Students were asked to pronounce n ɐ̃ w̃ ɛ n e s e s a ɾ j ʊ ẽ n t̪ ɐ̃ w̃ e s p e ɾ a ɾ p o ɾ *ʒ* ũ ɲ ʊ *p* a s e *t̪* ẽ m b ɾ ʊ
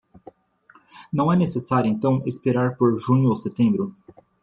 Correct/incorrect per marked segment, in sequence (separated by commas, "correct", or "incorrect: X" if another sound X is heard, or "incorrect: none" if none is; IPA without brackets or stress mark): correct, incorrect: none, correct